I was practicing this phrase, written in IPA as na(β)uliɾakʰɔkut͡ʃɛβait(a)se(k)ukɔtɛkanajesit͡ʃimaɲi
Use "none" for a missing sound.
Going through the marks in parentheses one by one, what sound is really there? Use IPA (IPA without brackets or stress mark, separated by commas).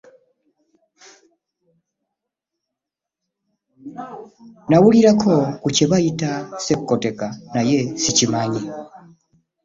w, a, k